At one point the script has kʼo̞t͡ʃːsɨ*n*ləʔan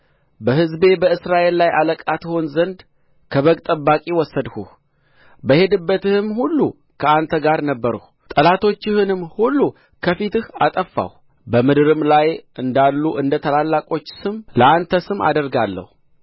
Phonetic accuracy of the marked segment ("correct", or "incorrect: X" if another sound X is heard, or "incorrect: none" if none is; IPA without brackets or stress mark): incorrect: m